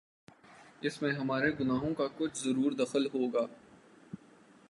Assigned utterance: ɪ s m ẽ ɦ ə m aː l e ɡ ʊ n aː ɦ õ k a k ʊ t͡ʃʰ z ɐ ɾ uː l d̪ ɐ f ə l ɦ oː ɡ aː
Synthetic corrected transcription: ɪ s m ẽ ɦ ɐ m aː ɾ e ɡ ʊ n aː ɦ õ k a k ʊ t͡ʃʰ z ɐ ɾ uː ɾ d̪ ɐ x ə l ɦ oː ɡ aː